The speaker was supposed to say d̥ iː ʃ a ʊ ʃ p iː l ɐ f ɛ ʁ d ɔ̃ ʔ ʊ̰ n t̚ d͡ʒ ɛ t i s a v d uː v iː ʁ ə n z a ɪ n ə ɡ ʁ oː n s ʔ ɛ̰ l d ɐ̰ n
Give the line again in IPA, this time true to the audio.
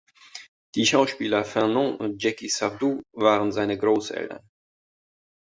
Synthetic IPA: d̥ iː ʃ a ʊ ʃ p iː l ɐ f ɛ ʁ n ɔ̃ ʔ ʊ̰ n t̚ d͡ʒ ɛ k i s a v d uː v aː ʁ ə n z a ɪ n ə ɡ ʁ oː s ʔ ɛ̰ l t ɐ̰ n